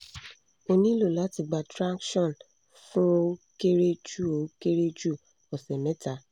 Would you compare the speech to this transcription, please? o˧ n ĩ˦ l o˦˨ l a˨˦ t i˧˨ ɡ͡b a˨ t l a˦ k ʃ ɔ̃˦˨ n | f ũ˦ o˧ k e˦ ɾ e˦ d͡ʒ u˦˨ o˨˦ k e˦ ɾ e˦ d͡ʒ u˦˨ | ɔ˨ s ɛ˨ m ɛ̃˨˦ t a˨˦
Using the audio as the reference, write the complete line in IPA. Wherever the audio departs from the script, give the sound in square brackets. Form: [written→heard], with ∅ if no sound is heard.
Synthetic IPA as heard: o˧ n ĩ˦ l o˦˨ l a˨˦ t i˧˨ ɡ͡b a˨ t [l→ɾ] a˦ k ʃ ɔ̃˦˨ n | f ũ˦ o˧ k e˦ ɾ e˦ d͡ʒ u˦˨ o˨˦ k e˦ ɾ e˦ d͡ʒ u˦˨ | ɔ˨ s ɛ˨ m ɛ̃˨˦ t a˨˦